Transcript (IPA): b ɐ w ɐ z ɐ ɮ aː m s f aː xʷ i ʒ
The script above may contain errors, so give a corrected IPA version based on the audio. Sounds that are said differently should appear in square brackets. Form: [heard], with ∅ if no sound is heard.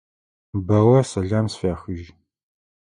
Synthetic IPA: b ɐ w ɐ [s] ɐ ɮ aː m s f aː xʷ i ʒ